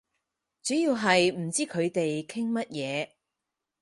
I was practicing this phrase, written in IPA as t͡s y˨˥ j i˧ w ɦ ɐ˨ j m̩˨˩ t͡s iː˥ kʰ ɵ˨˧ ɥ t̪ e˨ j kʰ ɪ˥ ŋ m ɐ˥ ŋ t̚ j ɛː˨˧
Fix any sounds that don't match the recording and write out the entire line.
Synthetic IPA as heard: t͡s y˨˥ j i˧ w ɦ ɐ˨ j m̩˨˩ t͡s iː˥ kʰ ɵ˨˧ ɥ t̪ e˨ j kʰ ɪ˥ ŋ m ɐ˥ t̚ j ɛː˨˧